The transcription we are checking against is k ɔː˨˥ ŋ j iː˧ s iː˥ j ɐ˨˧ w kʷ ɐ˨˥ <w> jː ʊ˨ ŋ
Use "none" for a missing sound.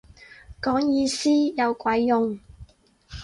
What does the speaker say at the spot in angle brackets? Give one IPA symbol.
none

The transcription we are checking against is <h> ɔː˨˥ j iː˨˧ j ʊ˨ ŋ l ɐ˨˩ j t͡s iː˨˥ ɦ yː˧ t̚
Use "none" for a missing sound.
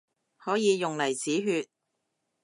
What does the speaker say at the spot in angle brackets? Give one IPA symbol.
h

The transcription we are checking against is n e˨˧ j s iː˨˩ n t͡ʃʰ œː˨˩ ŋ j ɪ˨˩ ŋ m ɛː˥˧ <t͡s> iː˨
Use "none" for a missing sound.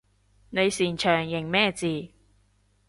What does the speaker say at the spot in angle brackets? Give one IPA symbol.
t͡s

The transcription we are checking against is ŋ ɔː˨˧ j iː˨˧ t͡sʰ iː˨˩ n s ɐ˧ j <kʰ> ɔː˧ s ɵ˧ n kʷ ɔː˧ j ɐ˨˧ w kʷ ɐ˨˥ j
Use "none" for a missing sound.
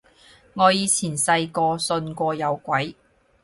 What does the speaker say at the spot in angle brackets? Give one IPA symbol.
k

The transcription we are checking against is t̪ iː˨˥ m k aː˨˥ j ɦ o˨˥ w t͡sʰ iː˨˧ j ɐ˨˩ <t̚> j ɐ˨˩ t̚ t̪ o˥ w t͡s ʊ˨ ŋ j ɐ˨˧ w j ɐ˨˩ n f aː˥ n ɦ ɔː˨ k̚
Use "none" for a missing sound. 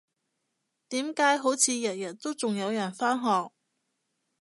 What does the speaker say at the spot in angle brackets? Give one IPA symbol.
t̚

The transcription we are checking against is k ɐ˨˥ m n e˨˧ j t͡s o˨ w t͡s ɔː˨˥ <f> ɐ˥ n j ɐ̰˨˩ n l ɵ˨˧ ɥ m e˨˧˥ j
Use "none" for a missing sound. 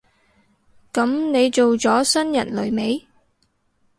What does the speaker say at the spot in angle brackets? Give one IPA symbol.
s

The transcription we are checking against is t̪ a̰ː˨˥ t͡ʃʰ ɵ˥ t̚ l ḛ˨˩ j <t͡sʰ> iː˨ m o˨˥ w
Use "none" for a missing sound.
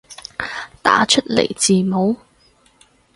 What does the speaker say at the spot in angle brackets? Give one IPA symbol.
t͡s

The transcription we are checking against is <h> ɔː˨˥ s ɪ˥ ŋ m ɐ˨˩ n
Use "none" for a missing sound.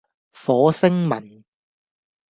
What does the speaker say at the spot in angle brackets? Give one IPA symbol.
f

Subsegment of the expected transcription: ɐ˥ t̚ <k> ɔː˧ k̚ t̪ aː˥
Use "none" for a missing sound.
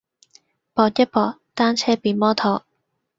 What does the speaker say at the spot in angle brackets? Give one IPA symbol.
p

